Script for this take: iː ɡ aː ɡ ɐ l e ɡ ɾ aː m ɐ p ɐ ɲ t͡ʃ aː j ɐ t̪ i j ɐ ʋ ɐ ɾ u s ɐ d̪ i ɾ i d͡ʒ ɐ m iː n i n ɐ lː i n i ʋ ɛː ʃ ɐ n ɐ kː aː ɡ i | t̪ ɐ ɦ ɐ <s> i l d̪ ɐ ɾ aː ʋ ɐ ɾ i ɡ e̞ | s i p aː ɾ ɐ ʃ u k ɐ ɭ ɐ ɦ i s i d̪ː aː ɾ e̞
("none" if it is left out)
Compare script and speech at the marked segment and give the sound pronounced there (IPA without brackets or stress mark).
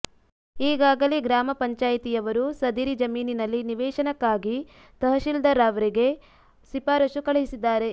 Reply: ʃ